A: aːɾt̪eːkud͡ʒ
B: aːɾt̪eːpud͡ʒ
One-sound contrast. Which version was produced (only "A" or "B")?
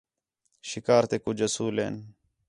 A